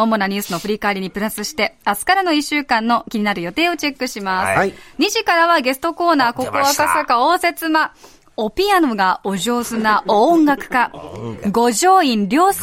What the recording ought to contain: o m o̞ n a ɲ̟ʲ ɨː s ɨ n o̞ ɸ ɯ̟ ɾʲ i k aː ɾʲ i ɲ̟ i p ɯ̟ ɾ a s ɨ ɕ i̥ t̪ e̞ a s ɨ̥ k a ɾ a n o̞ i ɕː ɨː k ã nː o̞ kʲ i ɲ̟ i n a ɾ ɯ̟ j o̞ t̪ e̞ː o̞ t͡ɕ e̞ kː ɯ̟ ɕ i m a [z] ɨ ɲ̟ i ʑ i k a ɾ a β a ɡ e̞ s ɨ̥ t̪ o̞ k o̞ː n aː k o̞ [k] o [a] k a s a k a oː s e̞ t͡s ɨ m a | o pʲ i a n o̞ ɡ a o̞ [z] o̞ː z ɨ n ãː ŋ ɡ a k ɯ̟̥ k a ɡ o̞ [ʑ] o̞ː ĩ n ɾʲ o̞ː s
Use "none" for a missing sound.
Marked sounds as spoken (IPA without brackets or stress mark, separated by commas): s, k, a, ʑ, ʑ